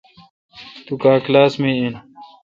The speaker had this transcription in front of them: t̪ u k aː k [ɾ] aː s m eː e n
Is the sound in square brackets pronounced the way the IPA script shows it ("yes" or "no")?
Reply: no